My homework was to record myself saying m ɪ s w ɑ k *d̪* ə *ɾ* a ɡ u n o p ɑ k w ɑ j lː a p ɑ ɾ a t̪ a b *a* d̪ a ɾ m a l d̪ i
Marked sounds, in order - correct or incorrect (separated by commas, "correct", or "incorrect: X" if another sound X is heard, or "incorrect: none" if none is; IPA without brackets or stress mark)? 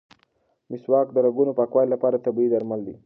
correct, correct, incorrect: i